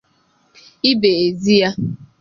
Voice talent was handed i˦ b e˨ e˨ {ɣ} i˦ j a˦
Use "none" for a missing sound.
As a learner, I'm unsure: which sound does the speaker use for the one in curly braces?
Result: z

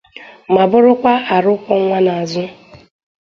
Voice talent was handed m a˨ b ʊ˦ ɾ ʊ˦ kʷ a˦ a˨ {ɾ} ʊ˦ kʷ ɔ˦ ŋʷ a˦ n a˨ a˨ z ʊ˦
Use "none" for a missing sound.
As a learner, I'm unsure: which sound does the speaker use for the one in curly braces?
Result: ɾ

